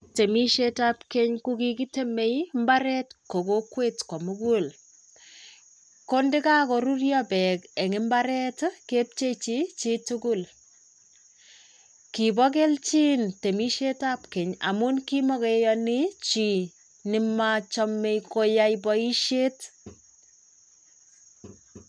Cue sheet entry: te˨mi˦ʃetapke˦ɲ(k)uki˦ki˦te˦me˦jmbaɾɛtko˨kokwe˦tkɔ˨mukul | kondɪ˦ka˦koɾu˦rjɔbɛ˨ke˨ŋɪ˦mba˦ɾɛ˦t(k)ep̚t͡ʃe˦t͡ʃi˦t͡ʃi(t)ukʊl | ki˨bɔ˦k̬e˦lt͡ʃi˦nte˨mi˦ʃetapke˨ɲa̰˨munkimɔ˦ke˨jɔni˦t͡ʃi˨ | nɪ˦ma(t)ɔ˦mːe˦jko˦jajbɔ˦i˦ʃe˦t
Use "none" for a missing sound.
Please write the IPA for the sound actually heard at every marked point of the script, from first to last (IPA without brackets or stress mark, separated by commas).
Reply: k, k, t, t͡ʃ